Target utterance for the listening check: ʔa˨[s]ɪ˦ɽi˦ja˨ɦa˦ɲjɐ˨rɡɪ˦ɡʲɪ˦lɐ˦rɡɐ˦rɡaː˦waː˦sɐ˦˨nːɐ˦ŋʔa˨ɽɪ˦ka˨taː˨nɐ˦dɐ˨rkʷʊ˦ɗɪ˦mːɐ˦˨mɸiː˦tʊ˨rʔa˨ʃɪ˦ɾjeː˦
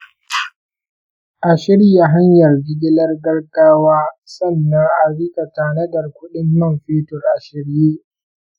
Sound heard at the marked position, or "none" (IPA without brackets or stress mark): ʃ